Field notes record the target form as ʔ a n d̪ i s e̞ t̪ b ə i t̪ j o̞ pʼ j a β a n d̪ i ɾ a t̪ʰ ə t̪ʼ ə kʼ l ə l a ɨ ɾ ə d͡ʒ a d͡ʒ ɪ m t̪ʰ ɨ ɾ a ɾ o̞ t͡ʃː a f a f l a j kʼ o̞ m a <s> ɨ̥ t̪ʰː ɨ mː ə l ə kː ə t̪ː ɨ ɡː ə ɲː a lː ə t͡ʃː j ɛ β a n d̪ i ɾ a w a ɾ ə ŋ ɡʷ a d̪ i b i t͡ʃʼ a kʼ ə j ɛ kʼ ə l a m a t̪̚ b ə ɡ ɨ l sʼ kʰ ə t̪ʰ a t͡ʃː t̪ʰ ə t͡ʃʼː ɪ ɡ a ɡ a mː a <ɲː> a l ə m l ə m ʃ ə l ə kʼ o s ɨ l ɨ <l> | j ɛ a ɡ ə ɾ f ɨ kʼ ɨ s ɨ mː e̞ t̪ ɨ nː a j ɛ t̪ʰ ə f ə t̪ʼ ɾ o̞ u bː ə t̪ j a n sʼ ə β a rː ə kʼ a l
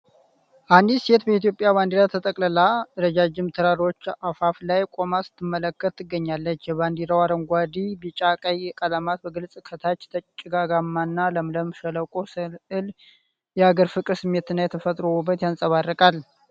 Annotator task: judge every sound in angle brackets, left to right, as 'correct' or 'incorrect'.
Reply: correct, incorrect, correct

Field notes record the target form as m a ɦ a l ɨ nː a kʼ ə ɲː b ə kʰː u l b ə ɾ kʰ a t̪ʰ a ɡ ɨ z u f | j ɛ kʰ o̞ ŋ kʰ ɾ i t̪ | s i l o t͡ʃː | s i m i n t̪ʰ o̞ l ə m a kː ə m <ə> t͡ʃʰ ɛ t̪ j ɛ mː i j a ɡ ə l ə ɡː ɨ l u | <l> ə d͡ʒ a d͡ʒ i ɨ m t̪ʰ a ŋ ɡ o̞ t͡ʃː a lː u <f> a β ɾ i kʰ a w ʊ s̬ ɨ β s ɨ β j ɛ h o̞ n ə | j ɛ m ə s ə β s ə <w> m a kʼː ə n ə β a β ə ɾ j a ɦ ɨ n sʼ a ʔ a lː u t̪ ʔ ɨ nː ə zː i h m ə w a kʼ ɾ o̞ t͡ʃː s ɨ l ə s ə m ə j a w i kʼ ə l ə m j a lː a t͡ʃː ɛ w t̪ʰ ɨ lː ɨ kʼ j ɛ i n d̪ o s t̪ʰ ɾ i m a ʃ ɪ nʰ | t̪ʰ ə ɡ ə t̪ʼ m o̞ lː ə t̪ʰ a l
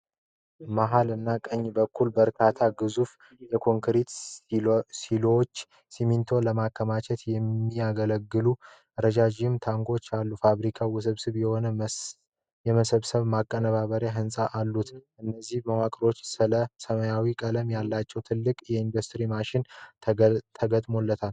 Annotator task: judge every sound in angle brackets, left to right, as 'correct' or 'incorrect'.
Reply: incorrect, incorrect, correct, incorrect

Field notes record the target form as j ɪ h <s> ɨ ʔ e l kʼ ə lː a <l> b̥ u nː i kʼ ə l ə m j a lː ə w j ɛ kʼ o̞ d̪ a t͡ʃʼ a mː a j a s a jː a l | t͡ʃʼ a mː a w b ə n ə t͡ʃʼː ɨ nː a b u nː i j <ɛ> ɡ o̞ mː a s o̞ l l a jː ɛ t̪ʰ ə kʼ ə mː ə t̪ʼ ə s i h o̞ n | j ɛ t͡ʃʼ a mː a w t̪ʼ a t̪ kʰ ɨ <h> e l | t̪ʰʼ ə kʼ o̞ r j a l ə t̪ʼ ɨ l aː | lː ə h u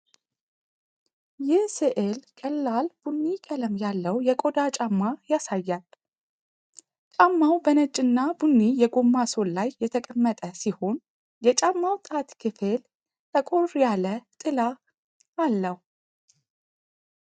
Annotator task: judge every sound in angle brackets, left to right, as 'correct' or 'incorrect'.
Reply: correct, correct, correct, incorrect

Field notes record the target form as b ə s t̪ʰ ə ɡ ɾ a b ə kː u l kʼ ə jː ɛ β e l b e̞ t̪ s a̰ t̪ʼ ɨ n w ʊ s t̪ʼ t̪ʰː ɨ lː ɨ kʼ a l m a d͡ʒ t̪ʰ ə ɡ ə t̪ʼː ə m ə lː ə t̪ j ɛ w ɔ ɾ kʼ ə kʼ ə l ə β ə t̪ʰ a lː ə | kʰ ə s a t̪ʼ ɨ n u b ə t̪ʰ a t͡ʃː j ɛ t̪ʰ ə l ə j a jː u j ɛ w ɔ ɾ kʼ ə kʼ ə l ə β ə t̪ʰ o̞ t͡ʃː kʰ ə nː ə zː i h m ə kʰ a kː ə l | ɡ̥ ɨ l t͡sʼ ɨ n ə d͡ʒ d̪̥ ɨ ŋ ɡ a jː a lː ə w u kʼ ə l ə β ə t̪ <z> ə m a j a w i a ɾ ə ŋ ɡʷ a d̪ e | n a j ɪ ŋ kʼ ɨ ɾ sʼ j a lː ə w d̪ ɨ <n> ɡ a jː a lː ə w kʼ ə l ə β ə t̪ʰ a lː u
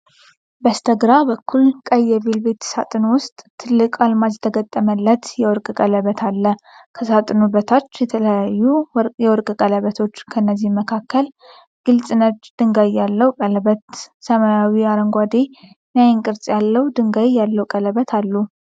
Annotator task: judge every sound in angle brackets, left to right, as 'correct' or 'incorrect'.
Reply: incorrect, incorrect

